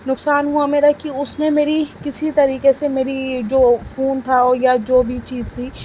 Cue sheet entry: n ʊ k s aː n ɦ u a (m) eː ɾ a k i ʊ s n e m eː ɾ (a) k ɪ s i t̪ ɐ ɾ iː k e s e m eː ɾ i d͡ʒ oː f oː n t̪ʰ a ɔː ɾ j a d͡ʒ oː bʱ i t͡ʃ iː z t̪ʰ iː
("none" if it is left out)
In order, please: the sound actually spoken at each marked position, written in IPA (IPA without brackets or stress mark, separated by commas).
m, i